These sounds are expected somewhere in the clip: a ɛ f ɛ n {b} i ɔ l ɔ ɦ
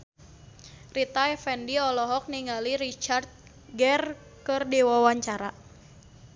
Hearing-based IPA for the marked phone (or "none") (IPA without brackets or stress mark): d